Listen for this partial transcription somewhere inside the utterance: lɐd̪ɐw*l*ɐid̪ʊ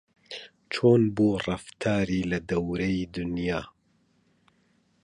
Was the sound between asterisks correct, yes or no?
no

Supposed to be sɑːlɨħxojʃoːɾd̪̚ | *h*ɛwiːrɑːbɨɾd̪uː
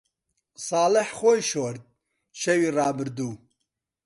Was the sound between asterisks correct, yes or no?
no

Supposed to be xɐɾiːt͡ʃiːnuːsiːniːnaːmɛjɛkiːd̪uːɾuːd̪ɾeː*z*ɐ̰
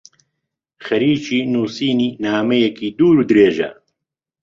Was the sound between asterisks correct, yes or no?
no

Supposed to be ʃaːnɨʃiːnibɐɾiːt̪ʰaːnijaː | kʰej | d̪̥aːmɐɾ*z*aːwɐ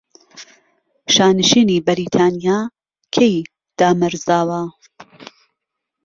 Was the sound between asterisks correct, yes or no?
yes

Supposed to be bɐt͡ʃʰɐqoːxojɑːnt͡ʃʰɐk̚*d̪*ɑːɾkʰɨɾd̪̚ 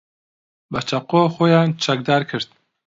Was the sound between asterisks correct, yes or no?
yes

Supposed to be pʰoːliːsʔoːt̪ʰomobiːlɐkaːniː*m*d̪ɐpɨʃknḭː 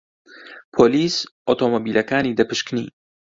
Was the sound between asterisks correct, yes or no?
no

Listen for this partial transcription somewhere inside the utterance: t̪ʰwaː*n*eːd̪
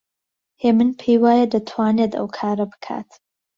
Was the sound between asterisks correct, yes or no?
yes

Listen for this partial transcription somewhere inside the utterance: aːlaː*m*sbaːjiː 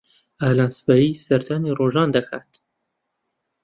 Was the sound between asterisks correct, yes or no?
no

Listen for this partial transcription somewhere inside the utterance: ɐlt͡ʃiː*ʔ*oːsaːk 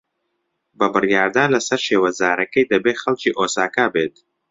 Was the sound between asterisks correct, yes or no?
yes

